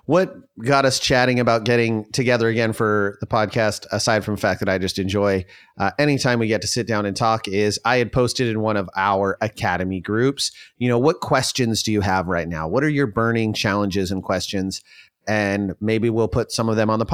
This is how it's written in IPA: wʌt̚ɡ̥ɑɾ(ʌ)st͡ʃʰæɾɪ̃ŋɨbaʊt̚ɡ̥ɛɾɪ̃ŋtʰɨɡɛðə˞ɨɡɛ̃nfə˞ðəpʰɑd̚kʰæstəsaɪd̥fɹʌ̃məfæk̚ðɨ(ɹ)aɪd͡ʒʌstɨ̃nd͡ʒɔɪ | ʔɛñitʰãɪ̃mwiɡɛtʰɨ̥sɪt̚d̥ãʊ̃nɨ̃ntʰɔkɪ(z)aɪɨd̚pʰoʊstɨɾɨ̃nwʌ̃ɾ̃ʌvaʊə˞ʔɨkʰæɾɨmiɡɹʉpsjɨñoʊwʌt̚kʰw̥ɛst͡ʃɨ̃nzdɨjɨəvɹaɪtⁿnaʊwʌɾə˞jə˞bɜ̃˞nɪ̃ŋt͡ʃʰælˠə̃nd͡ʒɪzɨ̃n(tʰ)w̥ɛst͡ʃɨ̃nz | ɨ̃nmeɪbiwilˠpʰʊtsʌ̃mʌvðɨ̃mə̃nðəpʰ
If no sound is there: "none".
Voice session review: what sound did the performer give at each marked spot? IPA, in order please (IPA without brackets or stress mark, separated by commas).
ʌ, ɾ, z, kʰ